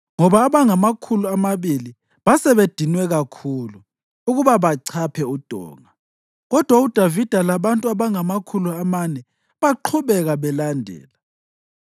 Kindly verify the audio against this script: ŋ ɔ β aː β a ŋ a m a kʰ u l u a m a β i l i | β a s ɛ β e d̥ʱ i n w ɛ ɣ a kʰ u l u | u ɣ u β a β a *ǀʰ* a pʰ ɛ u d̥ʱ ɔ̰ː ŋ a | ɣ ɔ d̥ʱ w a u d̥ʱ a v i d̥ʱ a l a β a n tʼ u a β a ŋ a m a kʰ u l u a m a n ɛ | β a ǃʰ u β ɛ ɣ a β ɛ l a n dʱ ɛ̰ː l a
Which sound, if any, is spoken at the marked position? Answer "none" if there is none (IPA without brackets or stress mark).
ǀʰ